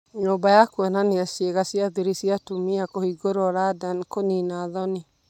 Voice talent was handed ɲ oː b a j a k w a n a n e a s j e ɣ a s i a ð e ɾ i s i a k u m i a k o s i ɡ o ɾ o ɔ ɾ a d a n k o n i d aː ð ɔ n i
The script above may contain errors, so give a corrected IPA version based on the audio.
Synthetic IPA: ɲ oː b a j a k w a n a n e a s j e ɣ a s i a ð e ɾ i s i a t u m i a k o h i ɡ o ɾ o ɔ ɾ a d a n k o n i n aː ð ɔ n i